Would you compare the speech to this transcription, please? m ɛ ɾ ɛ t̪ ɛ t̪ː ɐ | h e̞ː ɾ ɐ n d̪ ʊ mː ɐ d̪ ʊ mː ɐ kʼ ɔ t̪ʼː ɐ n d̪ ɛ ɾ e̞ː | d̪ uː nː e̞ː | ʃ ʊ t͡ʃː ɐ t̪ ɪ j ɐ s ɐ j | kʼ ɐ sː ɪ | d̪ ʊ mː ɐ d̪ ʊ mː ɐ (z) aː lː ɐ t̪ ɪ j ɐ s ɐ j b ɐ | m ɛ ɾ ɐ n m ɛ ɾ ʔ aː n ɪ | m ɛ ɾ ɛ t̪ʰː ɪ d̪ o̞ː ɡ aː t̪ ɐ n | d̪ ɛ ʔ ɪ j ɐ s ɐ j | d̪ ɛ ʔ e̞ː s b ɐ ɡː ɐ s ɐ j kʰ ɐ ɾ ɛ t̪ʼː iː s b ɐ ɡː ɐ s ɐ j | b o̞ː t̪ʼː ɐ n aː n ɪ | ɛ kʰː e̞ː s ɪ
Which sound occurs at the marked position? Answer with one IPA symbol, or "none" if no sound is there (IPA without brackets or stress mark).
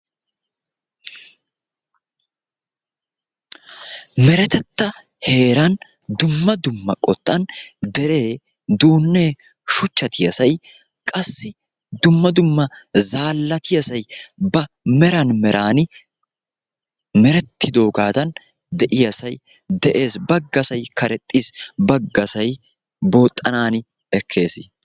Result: z